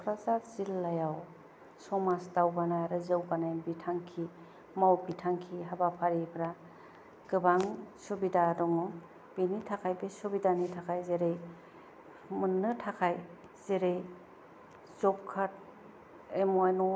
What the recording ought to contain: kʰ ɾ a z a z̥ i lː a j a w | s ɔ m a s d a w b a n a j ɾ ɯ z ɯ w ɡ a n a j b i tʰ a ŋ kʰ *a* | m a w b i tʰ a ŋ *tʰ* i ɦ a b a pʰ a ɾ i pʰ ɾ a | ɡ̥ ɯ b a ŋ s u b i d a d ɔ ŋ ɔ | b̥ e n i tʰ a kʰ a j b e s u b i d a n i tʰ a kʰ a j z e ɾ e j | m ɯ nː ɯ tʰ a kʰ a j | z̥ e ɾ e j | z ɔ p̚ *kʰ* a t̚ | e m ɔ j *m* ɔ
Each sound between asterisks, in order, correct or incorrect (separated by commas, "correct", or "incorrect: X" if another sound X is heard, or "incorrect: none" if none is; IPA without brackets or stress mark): incorrect: i, incorrect: kʰ, correct, incorrect: n